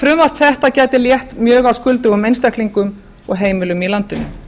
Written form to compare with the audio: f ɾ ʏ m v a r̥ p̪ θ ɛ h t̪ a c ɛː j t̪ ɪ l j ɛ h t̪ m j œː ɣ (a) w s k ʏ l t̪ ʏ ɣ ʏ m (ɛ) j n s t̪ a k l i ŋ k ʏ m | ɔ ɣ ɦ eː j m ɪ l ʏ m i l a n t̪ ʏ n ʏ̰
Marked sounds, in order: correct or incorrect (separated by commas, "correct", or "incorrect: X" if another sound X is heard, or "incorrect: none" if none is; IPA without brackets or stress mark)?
correct, incorrect: e